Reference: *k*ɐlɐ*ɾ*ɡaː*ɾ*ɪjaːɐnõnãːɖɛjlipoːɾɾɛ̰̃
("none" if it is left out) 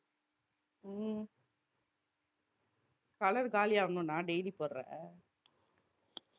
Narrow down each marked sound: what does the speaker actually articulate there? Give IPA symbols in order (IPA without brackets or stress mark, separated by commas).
k, ɾ, l